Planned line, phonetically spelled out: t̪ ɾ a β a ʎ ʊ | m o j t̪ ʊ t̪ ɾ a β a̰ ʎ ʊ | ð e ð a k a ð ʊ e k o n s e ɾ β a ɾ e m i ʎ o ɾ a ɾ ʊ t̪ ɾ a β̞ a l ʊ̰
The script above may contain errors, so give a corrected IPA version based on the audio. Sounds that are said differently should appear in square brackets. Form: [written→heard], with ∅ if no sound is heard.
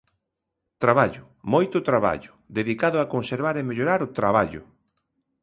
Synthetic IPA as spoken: t̪ ɾ a β a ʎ ʊ | m o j t̪ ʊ t̪ ɾ a β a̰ ʎ ʊ | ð e ð [a→i] k a ð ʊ [e→a] k o n s e ɾ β a ɾ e m [i→e] ʎ o ɾ a ɾ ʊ t̪ ɾ a β̞ a [l→ʎ] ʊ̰